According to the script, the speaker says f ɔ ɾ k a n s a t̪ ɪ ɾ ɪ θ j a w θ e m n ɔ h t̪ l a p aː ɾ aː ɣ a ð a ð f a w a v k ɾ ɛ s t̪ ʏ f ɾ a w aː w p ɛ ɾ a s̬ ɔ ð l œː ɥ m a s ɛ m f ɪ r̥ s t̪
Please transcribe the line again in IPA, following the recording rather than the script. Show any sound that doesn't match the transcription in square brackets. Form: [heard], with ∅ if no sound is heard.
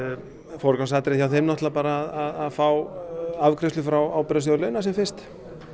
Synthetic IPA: f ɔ ɾ k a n s a t̪ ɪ ɾ ɪ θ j a w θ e m n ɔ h t̪ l a p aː ɾ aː [ð] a ð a ð f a w a v k ɾ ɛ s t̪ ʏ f ɾ a w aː w p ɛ ɾ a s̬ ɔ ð l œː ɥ [n] a s ɛ m f ɪ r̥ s t̪